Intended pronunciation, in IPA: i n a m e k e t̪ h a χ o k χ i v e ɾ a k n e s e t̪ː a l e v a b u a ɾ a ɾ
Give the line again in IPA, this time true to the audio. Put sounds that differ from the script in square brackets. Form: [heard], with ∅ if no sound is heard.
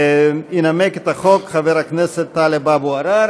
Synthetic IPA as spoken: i n a m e k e t̪ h a χ o k χ [a] v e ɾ a k n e s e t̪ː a l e [b] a b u a ɾ a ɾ